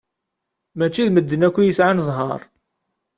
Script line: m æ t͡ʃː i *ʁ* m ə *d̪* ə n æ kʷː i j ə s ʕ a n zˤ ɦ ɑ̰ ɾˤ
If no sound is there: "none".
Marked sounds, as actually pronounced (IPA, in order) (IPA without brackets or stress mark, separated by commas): ð, d̪ː